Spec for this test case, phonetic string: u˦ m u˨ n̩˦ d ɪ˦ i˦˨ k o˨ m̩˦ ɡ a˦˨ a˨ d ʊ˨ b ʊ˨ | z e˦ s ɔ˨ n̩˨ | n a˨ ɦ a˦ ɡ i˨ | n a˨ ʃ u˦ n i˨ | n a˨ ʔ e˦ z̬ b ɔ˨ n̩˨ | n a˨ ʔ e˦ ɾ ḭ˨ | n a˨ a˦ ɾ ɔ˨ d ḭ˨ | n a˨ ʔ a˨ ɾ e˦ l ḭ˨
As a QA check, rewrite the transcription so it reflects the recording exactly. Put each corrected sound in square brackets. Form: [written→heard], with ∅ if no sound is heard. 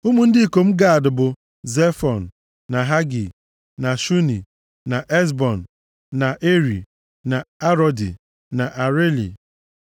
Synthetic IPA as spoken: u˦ m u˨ n̩˦ d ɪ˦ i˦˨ k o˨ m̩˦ ɡ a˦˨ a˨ d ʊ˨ b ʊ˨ | z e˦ [s→f] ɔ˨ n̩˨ | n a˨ ɦ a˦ ɡ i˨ | n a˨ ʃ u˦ n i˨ | n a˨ ʔ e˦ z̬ b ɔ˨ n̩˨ | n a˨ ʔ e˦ ɾ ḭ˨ | n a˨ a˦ ɾ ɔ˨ d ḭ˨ | n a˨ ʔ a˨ ɾ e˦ l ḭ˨